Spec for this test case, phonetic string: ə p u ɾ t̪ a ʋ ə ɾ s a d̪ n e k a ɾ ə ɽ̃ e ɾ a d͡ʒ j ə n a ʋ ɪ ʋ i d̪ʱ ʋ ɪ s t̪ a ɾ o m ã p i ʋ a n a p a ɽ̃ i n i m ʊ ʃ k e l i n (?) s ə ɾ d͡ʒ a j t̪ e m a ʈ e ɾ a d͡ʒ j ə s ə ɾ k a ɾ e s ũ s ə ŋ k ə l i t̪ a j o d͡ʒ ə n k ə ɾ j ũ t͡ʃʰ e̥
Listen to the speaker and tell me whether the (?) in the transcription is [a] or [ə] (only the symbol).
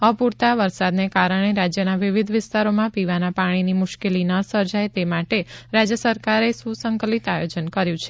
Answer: ə